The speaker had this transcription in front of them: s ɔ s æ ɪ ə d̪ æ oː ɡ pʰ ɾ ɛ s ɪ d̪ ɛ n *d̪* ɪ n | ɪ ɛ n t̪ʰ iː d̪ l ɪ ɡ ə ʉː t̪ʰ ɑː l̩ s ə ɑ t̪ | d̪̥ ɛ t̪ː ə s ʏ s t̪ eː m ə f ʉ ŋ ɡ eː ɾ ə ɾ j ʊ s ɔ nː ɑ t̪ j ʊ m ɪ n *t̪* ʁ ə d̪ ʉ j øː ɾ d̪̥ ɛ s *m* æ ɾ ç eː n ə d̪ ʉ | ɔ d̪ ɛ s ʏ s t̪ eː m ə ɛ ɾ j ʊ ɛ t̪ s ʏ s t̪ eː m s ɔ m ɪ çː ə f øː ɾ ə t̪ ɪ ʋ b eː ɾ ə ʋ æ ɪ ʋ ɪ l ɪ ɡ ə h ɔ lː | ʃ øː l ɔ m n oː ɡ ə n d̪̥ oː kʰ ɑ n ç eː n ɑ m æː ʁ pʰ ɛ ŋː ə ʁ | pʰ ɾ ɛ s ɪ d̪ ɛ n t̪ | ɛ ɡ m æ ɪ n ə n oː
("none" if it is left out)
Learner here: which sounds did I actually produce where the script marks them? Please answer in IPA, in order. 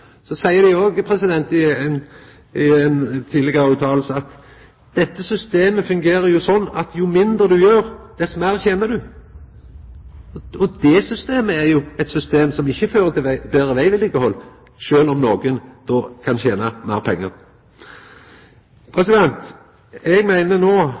t̪, d̪, m

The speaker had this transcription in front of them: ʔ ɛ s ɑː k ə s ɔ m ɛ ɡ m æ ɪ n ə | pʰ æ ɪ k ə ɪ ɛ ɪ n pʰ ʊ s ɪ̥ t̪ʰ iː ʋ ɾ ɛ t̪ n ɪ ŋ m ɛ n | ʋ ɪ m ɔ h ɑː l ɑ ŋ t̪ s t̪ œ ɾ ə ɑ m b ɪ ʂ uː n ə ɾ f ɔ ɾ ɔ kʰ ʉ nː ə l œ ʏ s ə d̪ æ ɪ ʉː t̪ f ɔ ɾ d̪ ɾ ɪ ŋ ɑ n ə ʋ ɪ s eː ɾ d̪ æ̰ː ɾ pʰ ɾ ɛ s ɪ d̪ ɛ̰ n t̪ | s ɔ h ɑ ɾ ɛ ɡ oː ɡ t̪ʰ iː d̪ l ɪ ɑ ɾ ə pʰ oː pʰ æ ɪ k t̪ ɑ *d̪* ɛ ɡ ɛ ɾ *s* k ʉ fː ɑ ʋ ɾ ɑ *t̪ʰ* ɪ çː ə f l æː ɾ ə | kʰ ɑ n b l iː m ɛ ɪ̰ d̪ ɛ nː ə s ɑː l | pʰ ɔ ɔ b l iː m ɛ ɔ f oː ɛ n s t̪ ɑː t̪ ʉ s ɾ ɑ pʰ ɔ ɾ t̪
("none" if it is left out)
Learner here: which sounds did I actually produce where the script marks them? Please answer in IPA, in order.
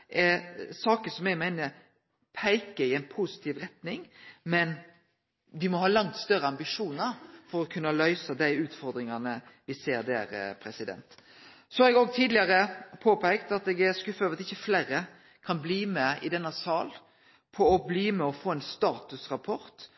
t̪, s, t̪

